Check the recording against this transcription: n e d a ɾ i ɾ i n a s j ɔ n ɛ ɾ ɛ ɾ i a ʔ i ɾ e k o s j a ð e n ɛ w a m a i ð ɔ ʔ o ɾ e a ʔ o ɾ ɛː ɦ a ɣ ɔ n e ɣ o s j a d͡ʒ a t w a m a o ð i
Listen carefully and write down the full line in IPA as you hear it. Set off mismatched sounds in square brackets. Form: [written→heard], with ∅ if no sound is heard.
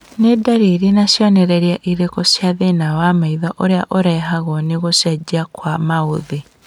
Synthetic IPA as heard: n e d a ɾ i ɾ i n a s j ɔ n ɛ ɾ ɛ ɾ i a ʔ i ɾ e k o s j a ð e n [ɛ→a] w a m a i ð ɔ ʔ o ɾ e a ʔ o ɾ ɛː ɦ a ɣ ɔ n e ɣ o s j a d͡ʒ a [t→k] w a m a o ð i